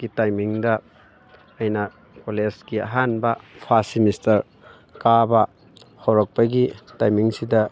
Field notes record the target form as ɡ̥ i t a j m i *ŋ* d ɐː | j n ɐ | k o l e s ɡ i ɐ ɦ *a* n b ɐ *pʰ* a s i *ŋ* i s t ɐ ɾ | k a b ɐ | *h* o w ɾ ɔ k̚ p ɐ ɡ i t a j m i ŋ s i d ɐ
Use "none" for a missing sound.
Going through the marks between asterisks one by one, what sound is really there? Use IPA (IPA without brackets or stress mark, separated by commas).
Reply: ŋ, a, pʰ, m, h